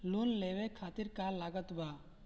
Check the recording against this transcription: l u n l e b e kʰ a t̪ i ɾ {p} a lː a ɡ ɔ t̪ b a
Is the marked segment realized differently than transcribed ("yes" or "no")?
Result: yes